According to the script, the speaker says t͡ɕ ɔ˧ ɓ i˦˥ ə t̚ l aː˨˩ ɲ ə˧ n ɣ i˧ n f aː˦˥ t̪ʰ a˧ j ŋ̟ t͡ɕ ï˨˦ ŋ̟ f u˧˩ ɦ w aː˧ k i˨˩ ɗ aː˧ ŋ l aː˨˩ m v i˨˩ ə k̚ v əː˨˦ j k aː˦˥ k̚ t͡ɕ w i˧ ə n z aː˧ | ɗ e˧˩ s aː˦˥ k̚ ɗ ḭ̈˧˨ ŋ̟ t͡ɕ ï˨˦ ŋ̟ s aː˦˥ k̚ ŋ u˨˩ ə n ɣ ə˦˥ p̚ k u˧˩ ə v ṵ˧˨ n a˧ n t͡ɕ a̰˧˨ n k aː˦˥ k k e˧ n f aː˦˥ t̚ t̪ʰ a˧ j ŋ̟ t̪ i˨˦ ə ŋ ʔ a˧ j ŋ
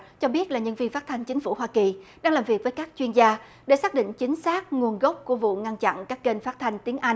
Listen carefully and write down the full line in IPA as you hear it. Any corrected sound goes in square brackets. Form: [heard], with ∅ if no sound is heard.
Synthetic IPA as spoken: t͡ɕ ɔ˧ ɓ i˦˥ ə t̚ l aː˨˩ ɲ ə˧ n [v] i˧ n f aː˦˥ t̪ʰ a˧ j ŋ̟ t͡ɕ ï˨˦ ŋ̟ f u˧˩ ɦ w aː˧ k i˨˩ ɗ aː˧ ŋ l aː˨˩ m v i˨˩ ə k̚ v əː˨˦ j k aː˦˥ k̚ t͡ɕ w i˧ ə n z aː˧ | ɗ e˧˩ s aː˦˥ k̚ ɗ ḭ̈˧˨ ŋ̟ t͡ɕ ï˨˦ ŋ̟ s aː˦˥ k̚ ŋ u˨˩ ə n ɣ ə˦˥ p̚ k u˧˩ ə v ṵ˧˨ [ŋ] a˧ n t͡ɕ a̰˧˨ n k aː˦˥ k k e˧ n f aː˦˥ t̚ t̪ʰ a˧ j ŋ̟ t̪ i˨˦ ə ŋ ʔ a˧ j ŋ